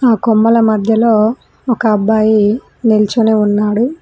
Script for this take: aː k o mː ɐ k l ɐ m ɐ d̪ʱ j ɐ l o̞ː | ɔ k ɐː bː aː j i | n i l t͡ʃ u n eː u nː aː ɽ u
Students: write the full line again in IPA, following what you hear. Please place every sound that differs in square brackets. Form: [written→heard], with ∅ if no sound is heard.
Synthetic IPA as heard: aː k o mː ɐ [k→∅] l ɐ m ɐ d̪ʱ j ɐ l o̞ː | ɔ k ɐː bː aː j i | n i l t͡ʃ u n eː u nː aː ɽ u

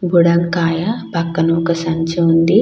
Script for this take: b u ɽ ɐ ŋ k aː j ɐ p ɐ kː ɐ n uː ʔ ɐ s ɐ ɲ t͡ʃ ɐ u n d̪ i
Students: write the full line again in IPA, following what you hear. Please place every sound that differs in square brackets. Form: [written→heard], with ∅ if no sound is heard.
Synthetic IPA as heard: b u ɽ ɐ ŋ k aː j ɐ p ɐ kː ɐ n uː [ʔ→k] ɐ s ɐ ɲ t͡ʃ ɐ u n d̪ i

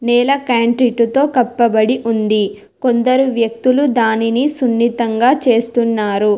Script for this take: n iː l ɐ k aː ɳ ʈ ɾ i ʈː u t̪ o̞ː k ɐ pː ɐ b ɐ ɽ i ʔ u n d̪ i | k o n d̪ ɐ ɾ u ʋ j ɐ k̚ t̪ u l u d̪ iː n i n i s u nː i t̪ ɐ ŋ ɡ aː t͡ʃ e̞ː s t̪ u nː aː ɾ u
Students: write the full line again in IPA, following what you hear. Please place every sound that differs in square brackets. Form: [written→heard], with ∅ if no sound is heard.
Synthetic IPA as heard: n [iː→ɛː] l ɐ k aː ɳ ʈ ɾ i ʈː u t̪ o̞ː k ɐ pː ɐ b ɐ ɽ i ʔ u n d̪ i | k o n d̪ ɐ ɾ u ʋ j ɐ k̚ t̪ u l u d̪ [iː→aː] n i n i s u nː i t̪ ɐ ŋ ɡ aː t͡ʃ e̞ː s t̪ u nː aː ɾ u

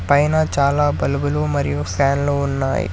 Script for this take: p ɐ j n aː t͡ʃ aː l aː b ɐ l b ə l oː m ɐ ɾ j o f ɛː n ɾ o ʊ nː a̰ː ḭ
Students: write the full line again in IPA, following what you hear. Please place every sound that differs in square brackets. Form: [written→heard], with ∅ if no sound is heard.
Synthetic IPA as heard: p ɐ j n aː t͡ʃ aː l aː b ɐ l b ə l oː m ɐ ɾ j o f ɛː n [ɾ→l] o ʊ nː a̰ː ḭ

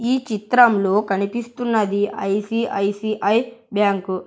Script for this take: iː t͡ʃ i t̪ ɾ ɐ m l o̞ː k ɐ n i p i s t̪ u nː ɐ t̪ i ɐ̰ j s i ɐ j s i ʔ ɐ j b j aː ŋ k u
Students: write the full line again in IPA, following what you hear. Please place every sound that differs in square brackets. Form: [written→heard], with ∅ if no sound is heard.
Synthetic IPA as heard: iː t͡ʃ i t̪ ɾ ɐ m l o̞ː k ɐ n i p i s t̪ u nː ɐ [t̪→d̪] i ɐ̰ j s i ɐ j s i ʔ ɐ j b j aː ŋ k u

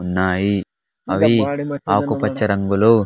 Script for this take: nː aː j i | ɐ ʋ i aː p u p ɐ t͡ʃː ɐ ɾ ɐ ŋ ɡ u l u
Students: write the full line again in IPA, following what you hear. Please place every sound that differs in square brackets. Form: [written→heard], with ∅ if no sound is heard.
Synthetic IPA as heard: nː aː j i | ɐ ʋ i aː [p→k] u p ɐ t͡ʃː ɐ ɾ ɐ ŋ ɡ u l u

